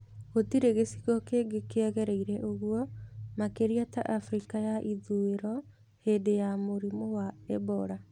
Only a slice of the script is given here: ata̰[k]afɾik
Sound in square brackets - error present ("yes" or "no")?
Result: yes